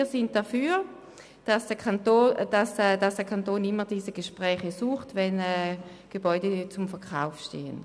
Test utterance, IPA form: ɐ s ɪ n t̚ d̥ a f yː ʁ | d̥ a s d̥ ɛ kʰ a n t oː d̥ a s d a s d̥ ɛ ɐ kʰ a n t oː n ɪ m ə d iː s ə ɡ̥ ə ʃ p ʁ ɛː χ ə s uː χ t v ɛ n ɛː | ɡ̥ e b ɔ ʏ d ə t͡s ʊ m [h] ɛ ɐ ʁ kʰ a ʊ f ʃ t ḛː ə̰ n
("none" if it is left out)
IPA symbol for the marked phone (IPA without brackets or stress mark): f